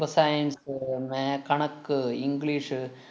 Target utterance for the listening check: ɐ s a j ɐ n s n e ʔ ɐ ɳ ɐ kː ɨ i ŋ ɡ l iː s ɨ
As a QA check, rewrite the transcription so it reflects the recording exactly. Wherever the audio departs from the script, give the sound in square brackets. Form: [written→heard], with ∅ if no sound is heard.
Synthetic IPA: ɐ s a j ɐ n s [n→m] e [ʔ→k] ɐ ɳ ɐ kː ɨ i ŋ ɡ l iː [s→ʂ] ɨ

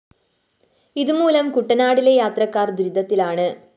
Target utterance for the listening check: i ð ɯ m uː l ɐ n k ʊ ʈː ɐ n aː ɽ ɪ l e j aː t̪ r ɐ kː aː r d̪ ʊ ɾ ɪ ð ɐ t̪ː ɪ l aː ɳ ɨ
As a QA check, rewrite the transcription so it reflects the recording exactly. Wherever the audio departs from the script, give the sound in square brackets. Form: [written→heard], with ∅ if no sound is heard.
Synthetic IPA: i ð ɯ m uː l ɐ [n→m] k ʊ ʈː ɐ n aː ɽ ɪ l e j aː t̪ r ɐ kː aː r d̪ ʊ ɾ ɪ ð ɐ t̪ː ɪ l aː ɳ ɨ

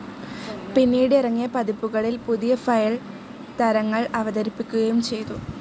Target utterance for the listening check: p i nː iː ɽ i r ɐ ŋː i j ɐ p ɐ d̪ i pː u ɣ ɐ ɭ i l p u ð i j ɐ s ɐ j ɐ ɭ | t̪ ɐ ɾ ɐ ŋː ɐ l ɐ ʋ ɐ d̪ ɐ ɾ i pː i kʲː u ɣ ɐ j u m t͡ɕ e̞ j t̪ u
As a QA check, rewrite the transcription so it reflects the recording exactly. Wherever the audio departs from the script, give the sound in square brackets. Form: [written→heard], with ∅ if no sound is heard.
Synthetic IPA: p i nː iː ɽ i r ɐ ŋː i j ɐ p ɐ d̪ i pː u ɣ ɐ ɭ i l p u ð i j ɐ [s→f] ɐ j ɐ ɭ | t̪ ɐ ɾ ɐ ŋː ɐ [l→ɭ] ɐ ʋ ɐ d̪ ɐ ɾ i pː i kʲː u ɣ ɐ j u m t͡ɕ e̞ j t̪ u

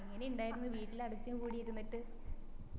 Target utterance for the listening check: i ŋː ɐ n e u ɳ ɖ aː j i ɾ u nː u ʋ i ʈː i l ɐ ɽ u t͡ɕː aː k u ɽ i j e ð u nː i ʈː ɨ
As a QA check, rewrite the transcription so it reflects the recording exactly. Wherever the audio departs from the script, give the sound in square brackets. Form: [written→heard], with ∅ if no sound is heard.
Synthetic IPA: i ŋː ɐ n e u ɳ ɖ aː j i ɾ u nː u ʋ [i→iː] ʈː i l ɐ ɽ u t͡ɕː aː k [u→uː] ɽ i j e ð u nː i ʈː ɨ

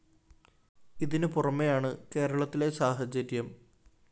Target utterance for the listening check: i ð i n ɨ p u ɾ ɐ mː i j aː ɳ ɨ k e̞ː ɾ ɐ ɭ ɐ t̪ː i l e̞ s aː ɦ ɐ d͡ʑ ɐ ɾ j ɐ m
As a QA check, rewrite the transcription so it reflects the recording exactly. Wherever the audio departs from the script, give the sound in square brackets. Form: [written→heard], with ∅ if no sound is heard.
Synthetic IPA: i ð i n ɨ p u [ɾ→r] ɐ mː [i→e] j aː ɳ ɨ k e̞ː ɾ ɐ ɭ ɐ t̪ː i l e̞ s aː ɦ ɐ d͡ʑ ɐ ɾ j ɐ m

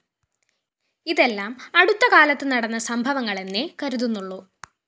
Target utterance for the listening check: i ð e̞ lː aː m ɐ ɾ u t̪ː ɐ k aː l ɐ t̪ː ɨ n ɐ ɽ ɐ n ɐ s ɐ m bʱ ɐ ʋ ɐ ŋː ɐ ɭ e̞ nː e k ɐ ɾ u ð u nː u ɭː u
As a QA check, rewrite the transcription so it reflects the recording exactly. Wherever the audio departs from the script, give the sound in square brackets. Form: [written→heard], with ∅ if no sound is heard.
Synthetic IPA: i ð e̞ lː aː m ɐ [ɾ→ɽ] u t̪ː ɐ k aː l ɐ t̪ː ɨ n ɐ ɽ ɐ [n→nː] ɐ s ɐ m bʱ ɐ ʋ ɐ ŋː ɐ ɭ e̞ nː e k ɐ ɾ u ð u nː u ɭː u

